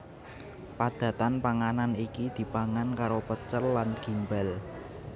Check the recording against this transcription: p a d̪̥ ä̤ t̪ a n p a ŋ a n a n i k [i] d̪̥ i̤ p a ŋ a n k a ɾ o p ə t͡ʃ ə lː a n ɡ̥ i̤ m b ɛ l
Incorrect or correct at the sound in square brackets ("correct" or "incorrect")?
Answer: correct